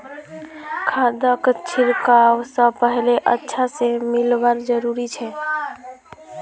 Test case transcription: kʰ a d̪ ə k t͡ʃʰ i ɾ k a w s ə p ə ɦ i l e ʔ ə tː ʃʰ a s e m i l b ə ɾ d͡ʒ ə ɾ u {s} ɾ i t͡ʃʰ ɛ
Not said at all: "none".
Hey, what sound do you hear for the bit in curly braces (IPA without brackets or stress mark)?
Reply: none